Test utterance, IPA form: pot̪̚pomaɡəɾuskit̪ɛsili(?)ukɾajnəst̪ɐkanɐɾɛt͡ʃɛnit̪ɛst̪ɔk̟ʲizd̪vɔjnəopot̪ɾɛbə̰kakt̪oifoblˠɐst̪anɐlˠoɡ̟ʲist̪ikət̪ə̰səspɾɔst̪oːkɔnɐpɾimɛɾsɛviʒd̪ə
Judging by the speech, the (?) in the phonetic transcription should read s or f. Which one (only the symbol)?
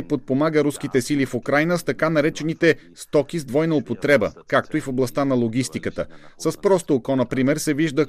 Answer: f